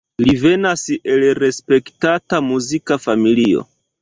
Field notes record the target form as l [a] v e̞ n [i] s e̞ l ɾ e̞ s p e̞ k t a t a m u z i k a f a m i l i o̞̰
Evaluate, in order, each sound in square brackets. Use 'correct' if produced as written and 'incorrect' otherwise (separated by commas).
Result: incorrect, incorrect